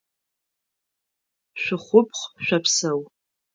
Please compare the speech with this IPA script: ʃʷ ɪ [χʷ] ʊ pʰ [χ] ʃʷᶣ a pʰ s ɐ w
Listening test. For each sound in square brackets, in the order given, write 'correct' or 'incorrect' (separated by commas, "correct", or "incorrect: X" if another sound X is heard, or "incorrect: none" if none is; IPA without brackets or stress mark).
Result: correct, correct